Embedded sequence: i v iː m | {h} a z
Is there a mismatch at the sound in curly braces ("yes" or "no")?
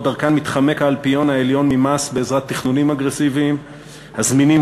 no